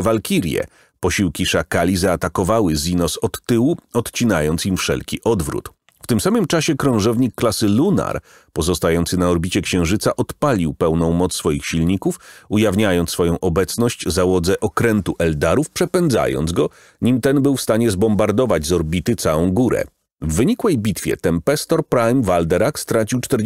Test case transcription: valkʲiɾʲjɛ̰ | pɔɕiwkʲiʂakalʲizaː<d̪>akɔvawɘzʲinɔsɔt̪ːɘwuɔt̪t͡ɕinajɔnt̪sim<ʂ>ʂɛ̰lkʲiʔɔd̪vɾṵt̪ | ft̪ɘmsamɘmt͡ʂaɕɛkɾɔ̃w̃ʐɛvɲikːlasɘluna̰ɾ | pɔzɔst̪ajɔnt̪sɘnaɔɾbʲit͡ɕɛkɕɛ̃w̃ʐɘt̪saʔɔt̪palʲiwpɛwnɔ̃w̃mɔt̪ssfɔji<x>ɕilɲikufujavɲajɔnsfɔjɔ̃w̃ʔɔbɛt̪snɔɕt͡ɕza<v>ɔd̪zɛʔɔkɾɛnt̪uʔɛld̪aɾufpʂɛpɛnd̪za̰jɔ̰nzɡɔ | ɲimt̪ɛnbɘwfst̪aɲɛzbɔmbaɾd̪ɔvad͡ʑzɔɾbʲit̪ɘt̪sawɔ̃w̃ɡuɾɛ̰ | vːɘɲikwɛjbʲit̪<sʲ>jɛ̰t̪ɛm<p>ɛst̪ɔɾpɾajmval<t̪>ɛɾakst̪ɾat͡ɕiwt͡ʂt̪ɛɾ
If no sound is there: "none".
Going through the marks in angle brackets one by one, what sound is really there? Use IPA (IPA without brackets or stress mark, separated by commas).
t̪, f, x, w, fʲ, p, d̪